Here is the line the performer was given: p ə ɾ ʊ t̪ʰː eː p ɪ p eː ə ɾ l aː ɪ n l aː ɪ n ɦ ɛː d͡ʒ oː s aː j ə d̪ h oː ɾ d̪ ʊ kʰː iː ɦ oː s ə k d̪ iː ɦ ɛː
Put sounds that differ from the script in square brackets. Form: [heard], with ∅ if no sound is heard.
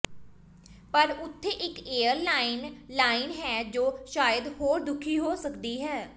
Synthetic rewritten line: p ə ɾ ʊ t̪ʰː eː [ʔ] ɪ [k] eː ə ɾ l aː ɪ n l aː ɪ n ɦ ɛː d͡ʒ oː [ʃ] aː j ə d̪ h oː ɾ d̪ ʊ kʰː iː ɦ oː s ə k d̪ iː ɦ ɛː